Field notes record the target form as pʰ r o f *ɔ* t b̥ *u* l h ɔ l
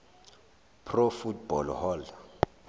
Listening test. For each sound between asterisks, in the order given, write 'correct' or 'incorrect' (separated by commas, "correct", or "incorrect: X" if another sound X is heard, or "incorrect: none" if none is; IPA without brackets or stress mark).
incorrect: u, incorrect: ɔ